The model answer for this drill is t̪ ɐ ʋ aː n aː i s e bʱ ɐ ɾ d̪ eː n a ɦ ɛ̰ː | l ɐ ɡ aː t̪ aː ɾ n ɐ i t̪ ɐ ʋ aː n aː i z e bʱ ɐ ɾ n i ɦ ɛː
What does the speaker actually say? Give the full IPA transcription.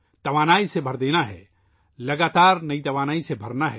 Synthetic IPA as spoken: t̪ ɐ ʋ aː n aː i s e bʱ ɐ ɾ d̪ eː n a ɦ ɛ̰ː | l ɐ ɡ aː t̪ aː ɾ n ɐ i t̪ ɐ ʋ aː n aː i s e bʱ ɐ ɾ n a ɦ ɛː